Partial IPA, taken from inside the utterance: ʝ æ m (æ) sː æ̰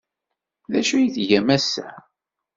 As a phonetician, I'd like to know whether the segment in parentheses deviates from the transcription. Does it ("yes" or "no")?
no